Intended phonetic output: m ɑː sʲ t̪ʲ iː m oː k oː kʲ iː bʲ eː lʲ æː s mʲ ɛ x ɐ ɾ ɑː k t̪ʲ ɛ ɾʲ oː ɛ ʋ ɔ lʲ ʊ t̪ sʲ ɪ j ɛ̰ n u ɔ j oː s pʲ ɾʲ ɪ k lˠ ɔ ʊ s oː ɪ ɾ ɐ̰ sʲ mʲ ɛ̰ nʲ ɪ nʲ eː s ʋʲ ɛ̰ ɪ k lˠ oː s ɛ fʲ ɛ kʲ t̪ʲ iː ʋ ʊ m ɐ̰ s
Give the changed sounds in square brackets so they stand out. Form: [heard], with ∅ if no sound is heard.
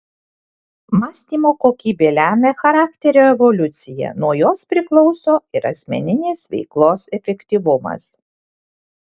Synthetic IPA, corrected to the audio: m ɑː sʲ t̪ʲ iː m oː k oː kʲ iː bʲ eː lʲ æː [∅] mʲ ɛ x ɐ ɾ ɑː k t̪ʲ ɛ ɾʲ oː ɛ ʋ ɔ lʲ ʊ t̪ sʲ ɪ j ɛ̰ n u ɔ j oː s pʲ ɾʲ ɪ k lˠ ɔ ʊ s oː ɪ ɾ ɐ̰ sʲ mʲ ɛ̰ nʲ ɪ nʲ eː s ʋʲ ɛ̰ ɪ k lˠ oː s ɛ fʲ ɛ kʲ t̪ʲ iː ʋ ʊ m ɐ̰ s